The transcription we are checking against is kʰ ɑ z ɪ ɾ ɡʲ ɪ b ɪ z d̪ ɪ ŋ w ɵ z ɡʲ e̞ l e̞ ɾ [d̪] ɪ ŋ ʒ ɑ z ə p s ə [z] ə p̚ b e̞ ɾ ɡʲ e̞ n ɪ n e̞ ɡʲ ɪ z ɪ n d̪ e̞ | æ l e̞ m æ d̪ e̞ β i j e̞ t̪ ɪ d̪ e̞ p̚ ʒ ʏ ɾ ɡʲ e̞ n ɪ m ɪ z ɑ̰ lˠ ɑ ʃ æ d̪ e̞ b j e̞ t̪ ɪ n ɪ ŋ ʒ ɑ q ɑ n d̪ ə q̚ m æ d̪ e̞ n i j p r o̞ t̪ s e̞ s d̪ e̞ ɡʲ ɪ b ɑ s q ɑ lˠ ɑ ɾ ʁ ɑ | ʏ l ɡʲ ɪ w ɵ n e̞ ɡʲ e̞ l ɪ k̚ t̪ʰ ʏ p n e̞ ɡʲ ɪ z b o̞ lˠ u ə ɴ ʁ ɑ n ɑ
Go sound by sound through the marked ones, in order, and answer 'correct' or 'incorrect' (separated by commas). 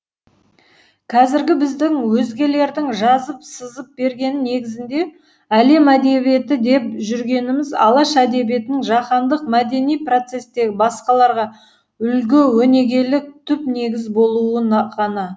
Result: correct, correct